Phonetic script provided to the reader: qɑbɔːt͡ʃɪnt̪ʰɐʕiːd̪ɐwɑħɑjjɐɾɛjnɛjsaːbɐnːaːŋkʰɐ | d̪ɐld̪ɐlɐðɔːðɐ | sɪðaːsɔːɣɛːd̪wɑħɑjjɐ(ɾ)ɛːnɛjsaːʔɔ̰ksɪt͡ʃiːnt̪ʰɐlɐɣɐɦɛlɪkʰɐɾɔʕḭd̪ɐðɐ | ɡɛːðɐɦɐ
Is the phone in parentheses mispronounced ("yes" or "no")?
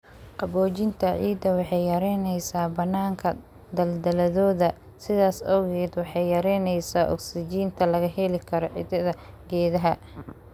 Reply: no